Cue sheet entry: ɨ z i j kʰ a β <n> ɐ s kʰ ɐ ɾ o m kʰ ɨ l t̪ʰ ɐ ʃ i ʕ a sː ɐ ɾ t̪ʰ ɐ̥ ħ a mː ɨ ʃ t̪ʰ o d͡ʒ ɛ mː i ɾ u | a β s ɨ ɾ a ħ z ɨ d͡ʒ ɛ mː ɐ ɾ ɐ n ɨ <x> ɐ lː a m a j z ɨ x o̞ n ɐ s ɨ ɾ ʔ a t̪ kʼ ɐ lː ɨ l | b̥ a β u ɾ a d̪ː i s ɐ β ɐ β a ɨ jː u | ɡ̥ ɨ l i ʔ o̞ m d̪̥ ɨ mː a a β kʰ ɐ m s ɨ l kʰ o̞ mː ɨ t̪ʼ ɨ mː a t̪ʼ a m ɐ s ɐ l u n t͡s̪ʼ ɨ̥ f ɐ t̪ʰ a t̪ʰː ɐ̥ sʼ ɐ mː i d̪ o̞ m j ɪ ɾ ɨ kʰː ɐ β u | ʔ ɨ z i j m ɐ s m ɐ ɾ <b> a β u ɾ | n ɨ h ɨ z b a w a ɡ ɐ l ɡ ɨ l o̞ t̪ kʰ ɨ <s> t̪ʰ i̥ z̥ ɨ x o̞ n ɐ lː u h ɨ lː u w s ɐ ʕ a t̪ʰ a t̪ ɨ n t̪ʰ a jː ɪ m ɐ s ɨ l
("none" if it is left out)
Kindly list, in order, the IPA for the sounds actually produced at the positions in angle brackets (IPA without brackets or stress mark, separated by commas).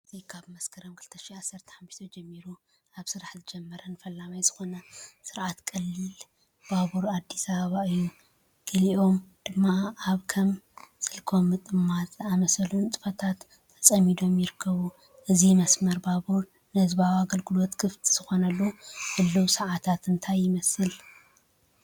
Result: m, f, b, f